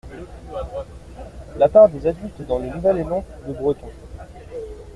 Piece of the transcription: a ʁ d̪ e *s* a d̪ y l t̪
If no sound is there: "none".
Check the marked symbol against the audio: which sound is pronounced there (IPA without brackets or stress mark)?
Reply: z